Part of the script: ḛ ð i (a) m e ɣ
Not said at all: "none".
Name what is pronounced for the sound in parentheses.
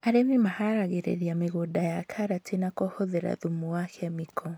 a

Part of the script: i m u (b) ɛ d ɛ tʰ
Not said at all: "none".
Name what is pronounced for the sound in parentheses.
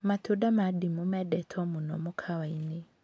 m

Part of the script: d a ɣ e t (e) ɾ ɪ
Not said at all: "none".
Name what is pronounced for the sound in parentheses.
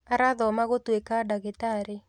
a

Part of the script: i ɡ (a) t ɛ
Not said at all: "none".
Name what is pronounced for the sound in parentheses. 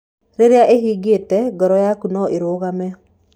e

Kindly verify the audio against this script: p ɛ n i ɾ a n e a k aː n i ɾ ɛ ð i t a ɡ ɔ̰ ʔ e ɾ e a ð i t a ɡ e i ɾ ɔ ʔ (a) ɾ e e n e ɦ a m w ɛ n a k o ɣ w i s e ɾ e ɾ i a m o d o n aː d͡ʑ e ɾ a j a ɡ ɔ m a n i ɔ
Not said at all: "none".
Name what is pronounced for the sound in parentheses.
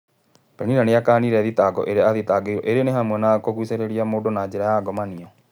e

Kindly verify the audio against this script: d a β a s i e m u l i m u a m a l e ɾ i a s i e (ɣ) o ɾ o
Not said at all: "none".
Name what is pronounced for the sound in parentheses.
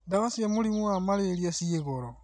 ɣ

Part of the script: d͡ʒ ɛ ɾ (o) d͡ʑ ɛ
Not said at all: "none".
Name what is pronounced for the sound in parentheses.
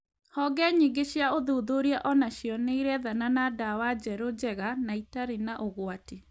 o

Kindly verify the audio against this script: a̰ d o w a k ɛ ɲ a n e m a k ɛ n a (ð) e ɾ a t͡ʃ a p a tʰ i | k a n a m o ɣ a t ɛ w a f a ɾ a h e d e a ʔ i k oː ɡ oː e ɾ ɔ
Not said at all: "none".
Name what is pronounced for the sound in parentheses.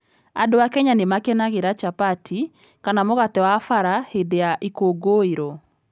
ɣ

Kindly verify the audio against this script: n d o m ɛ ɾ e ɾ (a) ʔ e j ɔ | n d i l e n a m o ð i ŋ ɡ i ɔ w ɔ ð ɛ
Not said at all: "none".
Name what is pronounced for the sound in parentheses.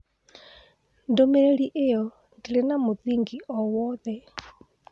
i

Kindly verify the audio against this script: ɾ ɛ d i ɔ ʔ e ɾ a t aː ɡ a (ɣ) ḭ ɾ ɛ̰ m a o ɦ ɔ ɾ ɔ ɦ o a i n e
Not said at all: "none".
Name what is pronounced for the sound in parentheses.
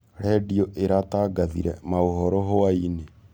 ð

